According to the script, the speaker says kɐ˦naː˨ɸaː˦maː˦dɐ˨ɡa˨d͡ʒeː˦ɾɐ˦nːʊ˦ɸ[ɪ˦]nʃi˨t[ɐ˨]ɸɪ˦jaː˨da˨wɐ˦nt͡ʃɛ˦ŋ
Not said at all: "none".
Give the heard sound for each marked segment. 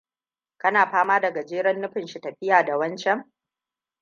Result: ɪ˨, ɐ˨

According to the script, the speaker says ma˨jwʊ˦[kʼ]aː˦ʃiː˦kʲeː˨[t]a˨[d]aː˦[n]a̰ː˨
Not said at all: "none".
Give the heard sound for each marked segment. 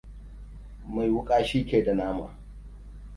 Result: kʼ, d, n, m

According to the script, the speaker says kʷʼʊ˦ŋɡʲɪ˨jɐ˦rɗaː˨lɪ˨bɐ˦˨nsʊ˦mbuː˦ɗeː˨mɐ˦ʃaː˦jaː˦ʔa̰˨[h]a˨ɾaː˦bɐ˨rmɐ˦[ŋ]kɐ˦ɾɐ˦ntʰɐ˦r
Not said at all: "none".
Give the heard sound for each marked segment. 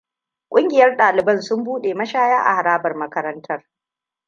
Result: h, none

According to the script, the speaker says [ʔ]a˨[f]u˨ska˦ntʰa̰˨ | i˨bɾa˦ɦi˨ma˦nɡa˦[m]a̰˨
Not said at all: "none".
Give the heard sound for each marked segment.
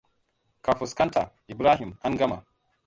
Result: k, f, m

